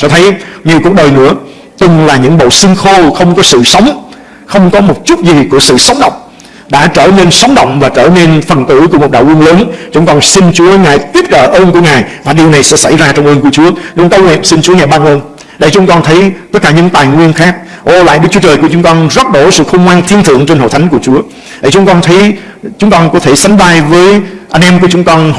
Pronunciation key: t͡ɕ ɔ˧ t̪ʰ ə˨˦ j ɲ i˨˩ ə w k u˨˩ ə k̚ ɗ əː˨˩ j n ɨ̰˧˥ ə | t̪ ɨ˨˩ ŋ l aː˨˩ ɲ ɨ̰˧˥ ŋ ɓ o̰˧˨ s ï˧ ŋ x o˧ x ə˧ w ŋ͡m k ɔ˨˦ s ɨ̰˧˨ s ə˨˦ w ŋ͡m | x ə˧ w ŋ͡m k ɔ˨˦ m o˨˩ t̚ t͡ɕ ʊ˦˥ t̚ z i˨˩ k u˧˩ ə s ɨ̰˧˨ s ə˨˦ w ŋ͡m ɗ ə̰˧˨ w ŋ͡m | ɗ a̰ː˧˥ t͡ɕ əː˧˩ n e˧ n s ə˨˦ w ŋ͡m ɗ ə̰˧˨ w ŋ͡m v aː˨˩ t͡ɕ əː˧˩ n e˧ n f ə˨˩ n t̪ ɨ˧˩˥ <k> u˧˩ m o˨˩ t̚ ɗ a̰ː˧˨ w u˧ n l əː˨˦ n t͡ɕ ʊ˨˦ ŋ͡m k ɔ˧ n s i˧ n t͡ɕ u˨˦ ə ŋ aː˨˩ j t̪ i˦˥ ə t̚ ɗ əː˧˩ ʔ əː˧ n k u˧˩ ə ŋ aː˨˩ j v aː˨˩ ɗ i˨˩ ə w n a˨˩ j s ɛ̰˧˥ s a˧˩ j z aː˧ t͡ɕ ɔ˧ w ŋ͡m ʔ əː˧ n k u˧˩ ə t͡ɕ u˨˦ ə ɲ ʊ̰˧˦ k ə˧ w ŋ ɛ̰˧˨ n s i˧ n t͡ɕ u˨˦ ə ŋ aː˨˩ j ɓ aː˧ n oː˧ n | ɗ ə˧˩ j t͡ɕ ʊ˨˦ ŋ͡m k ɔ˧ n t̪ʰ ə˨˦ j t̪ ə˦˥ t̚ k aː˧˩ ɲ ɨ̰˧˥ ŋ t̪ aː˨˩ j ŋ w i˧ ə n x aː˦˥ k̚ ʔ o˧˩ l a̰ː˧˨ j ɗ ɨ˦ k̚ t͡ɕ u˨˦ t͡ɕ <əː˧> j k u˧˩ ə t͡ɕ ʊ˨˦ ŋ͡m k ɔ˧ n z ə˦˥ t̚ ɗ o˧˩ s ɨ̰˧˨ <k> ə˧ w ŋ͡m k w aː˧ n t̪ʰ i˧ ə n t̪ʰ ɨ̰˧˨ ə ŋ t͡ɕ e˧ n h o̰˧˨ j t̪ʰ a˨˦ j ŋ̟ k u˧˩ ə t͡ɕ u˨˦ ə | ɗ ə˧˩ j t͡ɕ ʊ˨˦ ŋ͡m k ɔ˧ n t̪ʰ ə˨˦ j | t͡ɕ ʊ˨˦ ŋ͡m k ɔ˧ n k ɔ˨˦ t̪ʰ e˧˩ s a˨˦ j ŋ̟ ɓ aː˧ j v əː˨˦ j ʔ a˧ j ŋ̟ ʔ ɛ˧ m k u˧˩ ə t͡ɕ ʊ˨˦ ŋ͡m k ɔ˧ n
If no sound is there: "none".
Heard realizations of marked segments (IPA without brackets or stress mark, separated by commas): k, əː˨˩, x